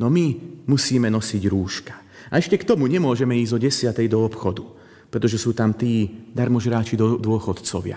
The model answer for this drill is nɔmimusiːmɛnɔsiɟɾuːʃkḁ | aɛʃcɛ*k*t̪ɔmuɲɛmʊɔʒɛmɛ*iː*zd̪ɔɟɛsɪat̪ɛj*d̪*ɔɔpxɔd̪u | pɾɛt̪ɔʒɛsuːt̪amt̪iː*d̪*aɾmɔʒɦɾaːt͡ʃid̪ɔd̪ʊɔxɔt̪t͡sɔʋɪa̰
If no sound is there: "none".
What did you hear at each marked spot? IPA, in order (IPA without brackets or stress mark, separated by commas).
k, iː, d̪, d̪